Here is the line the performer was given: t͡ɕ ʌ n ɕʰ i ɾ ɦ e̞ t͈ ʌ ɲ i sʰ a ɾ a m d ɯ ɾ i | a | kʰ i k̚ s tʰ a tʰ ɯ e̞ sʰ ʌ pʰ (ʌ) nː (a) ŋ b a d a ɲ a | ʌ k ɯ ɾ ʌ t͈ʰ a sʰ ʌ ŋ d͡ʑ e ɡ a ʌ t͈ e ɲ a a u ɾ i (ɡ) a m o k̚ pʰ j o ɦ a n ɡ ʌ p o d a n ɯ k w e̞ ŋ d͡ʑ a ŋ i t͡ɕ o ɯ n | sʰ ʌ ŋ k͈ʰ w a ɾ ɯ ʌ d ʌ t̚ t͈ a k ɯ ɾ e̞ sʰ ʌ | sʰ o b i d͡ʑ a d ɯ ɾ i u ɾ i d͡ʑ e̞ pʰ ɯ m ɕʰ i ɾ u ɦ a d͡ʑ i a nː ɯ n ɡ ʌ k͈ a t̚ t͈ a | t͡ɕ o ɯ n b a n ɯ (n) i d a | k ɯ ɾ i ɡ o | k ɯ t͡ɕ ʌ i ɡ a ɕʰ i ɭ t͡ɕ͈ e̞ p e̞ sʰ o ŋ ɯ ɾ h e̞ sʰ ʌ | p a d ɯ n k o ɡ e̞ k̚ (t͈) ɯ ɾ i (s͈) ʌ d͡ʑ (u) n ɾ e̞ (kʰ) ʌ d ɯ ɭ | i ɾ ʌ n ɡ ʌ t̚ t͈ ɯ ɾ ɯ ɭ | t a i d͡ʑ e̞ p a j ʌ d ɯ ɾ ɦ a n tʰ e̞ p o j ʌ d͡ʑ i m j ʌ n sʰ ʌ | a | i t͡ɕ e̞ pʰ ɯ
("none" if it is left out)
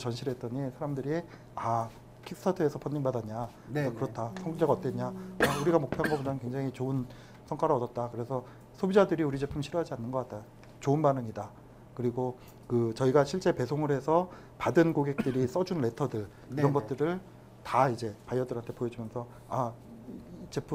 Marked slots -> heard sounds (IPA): ʌ, i, ɡ, ŋ, t͈, s͈, u, tʰ

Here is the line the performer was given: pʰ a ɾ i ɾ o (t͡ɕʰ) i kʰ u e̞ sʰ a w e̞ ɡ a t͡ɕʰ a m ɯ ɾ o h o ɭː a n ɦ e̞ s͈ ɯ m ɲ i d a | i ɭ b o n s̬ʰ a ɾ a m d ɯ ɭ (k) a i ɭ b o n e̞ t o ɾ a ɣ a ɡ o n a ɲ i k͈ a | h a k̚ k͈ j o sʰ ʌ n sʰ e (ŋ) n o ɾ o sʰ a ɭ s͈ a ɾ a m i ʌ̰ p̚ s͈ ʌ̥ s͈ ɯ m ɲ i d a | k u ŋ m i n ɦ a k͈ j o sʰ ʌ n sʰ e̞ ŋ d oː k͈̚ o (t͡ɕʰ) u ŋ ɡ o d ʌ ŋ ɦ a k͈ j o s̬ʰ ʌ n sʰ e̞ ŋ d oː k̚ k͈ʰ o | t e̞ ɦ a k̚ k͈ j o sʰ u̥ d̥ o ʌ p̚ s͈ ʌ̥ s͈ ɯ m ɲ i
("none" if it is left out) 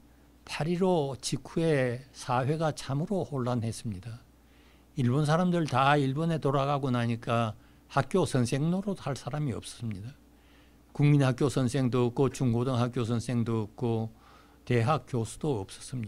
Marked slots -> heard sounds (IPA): t͡ɕ, t, ŋ, t͡ɕ

